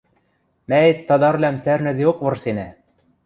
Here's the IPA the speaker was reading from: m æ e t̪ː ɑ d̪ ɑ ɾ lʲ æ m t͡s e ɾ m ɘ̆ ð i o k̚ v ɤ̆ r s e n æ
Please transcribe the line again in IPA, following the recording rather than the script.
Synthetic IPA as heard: m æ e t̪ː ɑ d̪ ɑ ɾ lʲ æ m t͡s æ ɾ n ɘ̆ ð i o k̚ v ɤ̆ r s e n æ